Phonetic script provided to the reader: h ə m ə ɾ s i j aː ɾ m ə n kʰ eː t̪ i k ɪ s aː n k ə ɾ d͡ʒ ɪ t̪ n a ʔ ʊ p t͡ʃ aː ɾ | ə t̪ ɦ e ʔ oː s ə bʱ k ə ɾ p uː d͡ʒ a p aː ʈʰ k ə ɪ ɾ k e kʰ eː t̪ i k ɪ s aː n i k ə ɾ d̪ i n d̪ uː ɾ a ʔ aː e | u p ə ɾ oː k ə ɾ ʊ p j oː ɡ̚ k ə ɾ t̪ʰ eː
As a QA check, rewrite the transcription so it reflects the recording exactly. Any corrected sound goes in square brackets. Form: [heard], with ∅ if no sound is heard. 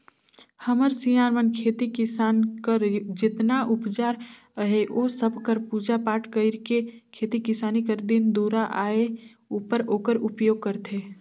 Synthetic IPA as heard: h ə m ə ɾ s i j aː ɾ m ə n kʰ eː t̪ i k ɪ s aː n k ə ɾ d͡ʒ ɪ t̪ n a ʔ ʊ p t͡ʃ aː ɾ | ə [∅] ɦ e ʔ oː s ə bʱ k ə ɾ p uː d͡ʒ a p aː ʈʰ k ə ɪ ɾ k e kʰ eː t̪ i k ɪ s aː n i k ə ɾ d̪ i n d̪ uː ɾ a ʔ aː e | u p ə ɾ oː k ə ɾ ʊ p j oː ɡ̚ k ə ɾ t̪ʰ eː